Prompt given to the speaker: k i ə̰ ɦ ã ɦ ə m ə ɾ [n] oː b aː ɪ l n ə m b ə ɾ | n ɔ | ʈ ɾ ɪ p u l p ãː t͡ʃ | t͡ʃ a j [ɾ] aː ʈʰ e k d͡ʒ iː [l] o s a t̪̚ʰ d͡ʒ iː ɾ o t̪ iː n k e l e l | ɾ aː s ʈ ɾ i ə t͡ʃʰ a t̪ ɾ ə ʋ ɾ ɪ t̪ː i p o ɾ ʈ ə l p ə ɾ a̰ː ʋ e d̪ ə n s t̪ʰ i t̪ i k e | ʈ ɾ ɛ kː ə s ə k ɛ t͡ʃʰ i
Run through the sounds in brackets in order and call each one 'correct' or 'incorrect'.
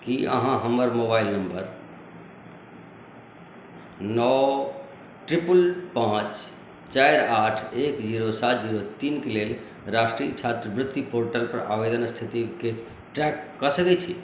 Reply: incorrect: m, correct, incorrect: ɾ

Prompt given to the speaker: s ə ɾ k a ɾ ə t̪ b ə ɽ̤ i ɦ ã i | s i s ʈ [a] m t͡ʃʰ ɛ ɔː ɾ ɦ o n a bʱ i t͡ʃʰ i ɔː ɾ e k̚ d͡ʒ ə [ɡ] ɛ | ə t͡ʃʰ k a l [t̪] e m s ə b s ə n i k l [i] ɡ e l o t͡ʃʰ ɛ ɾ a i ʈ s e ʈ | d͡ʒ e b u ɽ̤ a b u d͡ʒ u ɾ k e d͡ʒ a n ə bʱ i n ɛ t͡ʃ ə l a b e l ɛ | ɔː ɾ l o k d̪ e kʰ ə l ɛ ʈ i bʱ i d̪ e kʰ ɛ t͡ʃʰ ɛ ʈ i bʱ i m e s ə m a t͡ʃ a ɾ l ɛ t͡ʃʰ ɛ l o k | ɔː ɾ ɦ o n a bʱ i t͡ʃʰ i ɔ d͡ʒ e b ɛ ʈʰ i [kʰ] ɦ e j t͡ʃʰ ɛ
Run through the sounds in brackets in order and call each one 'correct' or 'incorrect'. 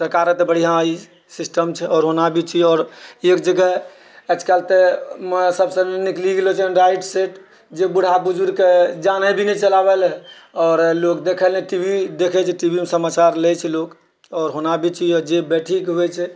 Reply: incorrect: ə, correct, correct, correct, incorrect: k

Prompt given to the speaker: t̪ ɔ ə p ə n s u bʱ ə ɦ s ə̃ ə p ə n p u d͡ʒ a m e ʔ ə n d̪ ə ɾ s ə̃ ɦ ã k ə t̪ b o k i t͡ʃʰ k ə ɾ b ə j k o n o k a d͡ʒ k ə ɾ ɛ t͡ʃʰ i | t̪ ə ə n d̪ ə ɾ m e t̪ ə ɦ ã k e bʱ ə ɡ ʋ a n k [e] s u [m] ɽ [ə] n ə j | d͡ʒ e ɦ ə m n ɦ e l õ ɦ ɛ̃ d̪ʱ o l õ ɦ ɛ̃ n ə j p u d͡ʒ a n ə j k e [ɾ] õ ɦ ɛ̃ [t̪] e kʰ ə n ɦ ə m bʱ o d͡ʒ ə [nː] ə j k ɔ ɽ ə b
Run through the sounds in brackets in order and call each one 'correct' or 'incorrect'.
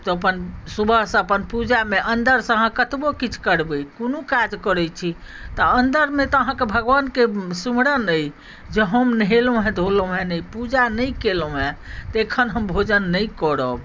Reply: correct, correct, correct, incorrect: l, correct, correct

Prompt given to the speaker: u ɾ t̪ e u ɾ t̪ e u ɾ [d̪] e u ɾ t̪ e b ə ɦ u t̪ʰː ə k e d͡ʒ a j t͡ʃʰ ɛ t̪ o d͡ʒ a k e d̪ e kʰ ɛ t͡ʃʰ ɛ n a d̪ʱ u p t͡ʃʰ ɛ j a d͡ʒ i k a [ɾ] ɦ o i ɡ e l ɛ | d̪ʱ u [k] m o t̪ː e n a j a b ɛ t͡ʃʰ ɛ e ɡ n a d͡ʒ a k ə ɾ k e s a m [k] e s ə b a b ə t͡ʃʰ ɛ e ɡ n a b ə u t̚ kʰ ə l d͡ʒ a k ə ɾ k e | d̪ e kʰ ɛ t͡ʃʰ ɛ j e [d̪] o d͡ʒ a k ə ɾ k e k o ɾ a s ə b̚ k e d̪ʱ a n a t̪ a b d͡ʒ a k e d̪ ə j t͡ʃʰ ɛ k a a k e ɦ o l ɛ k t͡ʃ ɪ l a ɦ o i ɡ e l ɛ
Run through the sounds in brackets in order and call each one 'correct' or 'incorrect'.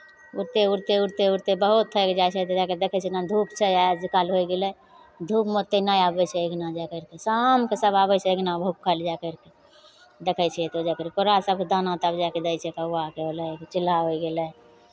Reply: incorrect: t̪, incorrect: l, incorrect: p, correct, incorrect: t̪

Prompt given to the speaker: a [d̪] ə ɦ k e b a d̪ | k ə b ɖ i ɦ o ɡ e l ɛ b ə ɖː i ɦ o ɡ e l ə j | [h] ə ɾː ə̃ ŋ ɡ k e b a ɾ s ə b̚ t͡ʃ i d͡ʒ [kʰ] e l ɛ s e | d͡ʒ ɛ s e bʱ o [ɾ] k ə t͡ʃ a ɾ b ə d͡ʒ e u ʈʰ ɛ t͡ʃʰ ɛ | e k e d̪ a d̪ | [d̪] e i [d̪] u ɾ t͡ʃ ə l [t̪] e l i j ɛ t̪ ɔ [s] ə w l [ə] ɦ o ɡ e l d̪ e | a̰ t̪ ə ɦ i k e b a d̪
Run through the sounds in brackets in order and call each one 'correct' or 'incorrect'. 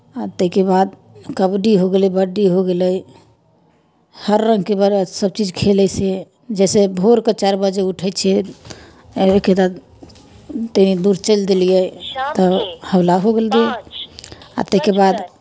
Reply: incorrect: t̪, correct, correct, correct, incorrect: t̪, correct, incorrect: d̪, incorrect: h, incorrect: a

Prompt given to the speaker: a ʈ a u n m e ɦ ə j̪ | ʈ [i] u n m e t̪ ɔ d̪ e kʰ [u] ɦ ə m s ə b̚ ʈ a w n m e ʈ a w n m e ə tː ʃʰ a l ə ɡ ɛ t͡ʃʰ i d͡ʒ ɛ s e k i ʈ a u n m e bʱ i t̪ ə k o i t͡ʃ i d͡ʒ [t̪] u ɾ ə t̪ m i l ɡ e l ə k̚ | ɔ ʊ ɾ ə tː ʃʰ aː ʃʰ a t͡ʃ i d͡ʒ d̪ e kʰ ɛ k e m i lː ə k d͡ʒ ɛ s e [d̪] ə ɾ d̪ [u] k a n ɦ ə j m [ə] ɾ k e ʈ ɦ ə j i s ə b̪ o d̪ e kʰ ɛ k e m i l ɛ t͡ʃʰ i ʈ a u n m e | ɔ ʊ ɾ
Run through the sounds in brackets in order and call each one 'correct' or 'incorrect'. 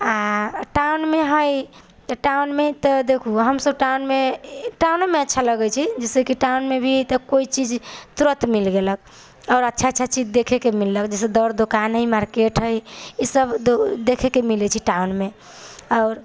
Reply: incorrect: a, correct, correct, correct, incorrect: o, incorrect: a

